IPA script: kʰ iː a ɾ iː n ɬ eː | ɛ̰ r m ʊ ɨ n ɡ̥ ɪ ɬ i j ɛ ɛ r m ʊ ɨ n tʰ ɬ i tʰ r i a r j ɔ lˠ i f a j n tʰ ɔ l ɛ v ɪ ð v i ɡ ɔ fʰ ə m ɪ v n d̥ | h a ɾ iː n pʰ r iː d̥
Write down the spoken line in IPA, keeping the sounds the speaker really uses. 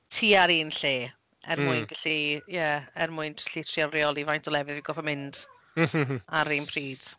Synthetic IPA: tʰ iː a ɾ iː n ɬ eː | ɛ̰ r m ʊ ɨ n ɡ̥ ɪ ɬ i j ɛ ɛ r m ʊ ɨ n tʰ ɬ i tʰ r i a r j ɔ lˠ i v a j n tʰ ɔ l ɛ v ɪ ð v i ɡ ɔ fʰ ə m ɪ n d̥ | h a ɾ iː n pʰ r iː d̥